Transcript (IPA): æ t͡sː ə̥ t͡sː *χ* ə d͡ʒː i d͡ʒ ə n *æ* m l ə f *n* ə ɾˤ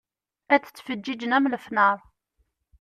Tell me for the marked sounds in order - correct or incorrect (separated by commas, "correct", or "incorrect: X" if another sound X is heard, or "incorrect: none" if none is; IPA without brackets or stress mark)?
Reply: incorrect: f, correct, correct